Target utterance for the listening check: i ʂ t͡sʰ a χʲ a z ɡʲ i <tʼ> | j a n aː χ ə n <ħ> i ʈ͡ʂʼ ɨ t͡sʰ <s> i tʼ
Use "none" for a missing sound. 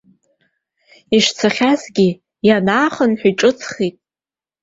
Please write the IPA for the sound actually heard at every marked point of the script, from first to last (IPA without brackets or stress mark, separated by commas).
none, ħ, χ